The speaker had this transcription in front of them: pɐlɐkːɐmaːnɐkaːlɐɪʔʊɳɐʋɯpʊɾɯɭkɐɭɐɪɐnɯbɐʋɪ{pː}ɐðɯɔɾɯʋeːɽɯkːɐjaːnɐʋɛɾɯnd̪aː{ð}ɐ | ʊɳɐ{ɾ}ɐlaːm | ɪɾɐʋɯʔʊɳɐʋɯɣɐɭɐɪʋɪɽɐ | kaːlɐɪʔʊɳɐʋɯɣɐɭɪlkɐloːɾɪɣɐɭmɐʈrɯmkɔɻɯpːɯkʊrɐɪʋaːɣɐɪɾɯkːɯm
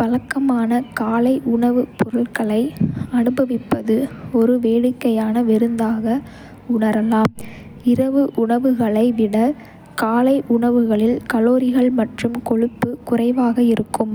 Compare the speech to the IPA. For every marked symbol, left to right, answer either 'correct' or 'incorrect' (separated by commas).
correct, incorrect, correct